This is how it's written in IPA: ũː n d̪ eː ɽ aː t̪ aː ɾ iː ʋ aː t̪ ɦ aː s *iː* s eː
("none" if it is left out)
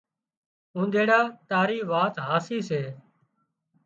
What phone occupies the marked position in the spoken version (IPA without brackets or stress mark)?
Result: iː